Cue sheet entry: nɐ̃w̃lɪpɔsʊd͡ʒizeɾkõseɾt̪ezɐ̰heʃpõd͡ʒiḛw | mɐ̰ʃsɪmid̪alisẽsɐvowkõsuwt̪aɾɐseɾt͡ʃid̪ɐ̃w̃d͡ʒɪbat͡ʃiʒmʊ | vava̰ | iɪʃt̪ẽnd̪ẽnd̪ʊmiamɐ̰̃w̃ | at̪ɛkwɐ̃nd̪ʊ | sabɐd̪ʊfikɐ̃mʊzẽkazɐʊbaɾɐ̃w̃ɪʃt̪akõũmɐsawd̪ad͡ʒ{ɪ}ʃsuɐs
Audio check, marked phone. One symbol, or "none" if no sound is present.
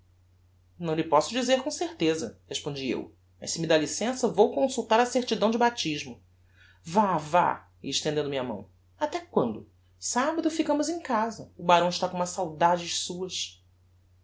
ɪ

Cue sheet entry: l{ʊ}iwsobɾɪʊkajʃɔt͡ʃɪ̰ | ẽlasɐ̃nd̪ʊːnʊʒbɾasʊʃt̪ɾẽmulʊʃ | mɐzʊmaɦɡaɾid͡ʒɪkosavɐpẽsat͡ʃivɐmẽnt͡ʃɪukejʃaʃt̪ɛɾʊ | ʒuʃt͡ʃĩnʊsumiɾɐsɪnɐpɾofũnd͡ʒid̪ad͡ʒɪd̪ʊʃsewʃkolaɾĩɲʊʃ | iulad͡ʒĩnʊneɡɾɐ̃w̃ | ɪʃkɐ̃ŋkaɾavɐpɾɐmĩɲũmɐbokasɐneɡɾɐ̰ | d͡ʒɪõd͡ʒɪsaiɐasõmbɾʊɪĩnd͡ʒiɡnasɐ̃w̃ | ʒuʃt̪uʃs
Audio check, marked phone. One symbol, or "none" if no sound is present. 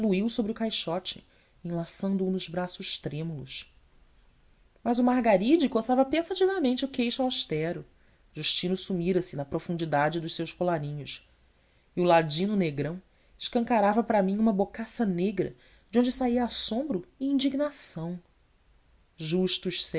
u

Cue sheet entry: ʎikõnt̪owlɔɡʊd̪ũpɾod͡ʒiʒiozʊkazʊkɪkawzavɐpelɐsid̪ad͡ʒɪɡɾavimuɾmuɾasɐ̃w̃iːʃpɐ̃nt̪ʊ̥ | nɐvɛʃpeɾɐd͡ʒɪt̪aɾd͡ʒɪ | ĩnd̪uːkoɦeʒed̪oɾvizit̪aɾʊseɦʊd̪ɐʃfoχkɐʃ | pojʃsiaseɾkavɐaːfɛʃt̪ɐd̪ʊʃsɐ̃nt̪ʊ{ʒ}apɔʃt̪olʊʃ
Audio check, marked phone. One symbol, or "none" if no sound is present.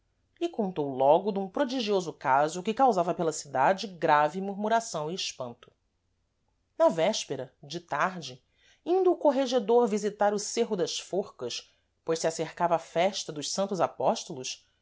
z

